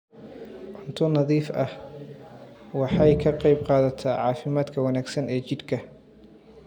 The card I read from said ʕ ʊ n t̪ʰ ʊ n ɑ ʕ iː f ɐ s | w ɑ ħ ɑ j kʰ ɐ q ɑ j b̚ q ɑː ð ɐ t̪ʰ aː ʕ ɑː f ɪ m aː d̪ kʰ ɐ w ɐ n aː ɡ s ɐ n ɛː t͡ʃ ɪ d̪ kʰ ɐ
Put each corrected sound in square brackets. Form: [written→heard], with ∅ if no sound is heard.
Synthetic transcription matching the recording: ʕ ʊ n t̪ʰ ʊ n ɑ [ʕ→ð] iː f ɐ [s→h] | w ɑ ħ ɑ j kʰ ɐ q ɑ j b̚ q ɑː ð ɐ t̪ʰ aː ʕ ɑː f ɪ m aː d̪ kʰ ɐ w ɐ n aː ɡ s ɐ n ɛː t͡ʃ ɪ d̪ kʰ ɐ